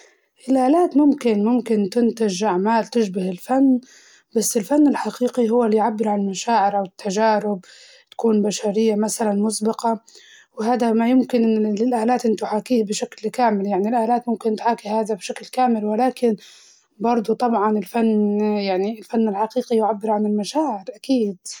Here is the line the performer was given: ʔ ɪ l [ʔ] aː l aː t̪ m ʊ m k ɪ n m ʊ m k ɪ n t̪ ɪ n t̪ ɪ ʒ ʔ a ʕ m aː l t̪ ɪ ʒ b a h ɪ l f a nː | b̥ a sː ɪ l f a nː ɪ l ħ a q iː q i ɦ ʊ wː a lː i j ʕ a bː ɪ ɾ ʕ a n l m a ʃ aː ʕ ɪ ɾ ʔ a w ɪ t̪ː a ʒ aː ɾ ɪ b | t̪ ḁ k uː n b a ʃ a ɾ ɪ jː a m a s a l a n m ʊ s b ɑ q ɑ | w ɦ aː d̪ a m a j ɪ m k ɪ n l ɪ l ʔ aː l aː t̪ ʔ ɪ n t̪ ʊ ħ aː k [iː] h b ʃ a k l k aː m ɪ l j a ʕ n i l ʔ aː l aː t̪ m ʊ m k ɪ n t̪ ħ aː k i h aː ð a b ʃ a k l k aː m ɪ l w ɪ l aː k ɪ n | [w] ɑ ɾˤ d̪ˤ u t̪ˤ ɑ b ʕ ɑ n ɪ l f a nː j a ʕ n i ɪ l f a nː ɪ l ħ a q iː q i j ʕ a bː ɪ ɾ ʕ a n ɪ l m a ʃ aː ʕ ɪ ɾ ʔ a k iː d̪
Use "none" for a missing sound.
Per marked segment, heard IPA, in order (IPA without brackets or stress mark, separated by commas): ʔ, iː, b